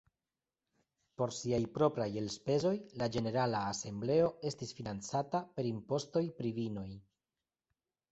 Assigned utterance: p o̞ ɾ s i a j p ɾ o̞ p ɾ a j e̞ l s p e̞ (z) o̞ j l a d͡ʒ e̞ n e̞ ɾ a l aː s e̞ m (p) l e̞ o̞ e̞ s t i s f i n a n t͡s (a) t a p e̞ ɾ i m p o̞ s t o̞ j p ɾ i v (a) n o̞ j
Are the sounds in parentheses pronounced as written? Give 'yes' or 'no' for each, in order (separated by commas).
yes, no, yes, no